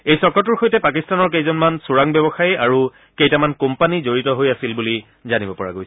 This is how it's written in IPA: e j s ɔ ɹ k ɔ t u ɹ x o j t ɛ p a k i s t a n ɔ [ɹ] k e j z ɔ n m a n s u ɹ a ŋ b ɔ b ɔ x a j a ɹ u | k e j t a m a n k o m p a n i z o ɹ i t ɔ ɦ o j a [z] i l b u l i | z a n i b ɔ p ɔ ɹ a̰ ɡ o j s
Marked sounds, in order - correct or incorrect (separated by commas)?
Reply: correct, incorrect